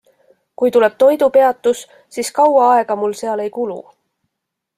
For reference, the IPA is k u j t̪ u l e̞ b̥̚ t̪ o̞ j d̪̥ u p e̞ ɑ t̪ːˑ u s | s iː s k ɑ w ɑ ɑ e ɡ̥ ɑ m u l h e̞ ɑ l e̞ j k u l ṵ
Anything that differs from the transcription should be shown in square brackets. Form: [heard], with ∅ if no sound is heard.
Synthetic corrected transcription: k u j t̪ u l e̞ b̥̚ t̪ o̞ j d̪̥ u p e̞ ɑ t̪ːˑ u s | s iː s k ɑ w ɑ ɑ e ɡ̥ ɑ m u l [s] e̞ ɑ l e̞ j k u l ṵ